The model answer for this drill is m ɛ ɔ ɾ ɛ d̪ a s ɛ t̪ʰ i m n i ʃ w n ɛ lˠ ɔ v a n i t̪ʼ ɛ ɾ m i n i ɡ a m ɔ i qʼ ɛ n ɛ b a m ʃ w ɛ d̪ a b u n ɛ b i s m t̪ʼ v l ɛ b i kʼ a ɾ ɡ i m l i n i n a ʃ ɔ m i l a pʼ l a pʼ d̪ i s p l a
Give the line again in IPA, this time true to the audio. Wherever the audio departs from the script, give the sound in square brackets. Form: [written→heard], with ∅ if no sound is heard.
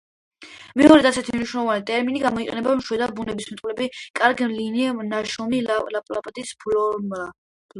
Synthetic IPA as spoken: m ɛ ɔ ɾ ɛ d̪ a s ɛ t̪ʰ i m n i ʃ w n ɛ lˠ ɔ v a n i t̪ʼ ɛ ɾ m i n i ɡ a m ɔ i qʼ ɛ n ɛ b a m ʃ w ɛ d̪ a b u n ɛ b i s m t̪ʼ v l ɛ b i kʼ a ɾ ɡ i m l i n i n a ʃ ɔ m i l a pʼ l a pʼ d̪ i s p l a